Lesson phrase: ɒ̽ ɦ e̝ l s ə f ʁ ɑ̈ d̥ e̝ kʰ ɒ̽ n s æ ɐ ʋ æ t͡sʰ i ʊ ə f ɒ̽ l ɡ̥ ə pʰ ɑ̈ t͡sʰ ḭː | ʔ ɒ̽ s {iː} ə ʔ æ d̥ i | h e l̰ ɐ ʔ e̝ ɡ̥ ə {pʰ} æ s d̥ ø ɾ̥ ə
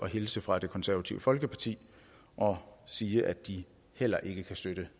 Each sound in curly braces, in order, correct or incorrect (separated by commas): correct, incorrect